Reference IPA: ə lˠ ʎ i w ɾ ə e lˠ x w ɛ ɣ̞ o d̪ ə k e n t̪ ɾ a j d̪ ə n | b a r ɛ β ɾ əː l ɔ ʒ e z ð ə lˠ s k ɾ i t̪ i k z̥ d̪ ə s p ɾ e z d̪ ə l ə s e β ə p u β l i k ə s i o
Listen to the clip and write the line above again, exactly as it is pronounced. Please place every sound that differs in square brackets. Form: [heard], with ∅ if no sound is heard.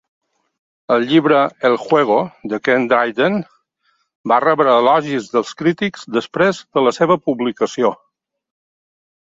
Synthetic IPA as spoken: ə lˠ ʎ i [β] ɾ ə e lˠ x w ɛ ɣ̞ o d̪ ə k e n [d̪] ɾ a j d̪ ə n | b a r ɛ β ɾ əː l ɔ ʒ [i] z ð ə lˠ s k ɾ i t̪ i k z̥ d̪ ə s p ɾ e z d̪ ə l ə s e β ə p u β l i k ə s i o